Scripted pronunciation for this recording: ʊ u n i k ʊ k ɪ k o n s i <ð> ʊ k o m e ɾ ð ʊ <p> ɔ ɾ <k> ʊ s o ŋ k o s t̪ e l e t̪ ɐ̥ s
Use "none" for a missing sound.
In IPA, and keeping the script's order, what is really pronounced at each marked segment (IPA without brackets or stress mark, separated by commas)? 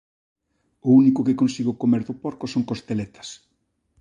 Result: ɣ, p, k